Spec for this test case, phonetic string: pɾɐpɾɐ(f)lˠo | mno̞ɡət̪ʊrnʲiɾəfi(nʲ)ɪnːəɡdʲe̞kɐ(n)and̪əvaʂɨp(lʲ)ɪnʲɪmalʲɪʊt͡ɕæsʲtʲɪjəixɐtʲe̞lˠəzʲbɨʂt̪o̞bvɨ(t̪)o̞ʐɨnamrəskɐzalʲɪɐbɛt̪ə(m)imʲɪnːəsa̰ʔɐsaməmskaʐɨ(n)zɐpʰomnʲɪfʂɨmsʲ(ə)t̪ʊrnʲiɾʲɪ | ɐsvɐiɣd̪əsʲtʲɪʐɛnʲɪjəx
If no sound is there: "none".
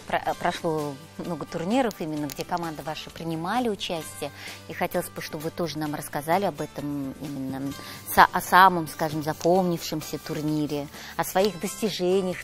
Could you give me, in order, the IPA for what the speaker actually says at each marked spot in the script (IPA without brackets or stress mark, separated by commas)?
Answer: ʂ, mʲ, m, ɾʲ, t̪, m, m, ə